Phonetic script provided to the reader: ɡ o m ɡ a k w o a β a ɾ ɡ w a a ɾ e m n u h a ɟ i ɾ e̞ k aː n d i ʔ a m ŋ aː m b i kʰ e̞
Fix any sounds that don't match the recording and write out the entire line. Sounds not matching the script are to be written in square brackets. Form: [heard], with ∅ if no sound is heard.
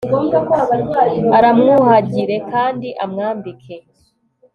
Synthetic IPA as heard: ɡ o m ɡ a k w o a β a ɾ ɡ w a a ɾ [a] m [ŋ] u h a ɟ i ɾ e̞ k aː n d i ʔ a m ŋ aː m b i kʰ e̞